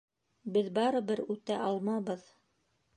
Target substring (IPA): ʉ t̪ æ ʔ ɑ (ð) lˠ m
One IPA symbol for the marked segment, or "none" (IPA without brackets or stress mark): none